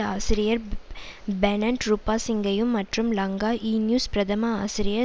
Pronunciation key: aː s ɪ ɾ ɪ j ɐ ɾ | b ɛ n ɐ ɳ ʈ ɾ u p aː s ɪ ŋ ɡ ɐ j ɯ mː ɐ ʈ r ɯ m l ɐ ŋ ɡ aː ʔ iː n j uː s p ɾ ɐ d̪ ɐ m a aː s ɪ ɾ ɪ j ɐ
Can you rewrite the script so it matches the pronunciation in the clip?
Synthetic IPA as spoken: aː s ɪ ɾ ɪ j ɐ ɾ | b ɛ n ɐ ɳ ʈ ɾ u p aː s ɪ ŋ ɡ ɐ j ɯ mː ɐ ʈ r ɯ m l ɐ ŋ ɡ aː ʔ iː n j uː s p ɾ ɐ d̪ ɐ m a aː s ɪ ɾ ɪ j ɐ